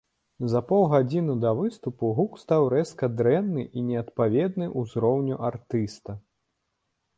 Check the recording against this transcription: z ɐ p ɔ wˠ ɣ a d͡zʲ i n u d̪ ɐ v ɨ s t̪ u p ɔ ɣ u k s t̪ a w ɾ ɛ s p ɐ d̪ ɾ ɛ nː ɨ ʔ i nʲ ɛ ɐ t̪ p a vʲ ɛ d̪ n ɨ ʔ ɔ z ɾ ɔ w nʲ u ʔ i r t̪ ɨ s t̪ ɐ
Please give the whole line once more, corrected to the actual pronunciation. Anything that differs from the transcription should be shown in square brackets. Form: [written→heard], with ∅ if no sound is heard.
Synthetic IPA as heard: z ɐ p ɔ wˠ ɣ a d͡zʲ i n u d̪ ɐ v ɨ s t̪ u p [ɔ→u] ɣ u k s t̪ a w ɾ ɛ s [p→k] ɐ d̪ ɾ ɛ nː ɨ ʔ i nʲ ɛ ɐ t̪ p a vʲ ɛ d̪ n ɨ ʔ [ɔ→u] z ɾ ɔ w nʲ u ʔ [i→a] r t̪ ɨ s t̪ ɐ